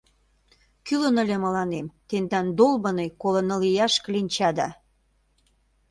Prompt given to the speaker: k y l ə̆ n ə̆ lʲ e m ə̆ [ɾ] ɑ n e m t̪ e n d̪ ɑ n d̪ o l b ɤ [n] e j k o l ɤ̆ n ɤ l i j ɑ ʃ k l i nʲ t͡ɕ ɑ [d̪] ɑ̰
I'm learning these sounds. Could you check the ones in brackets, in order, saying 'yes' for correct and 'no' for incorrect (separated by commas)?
no, yes, yes